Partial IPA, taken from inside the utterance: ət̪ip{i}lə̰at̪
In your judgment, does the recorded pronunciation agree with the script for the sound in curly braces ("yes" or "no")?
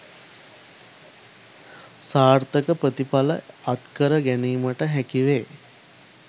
no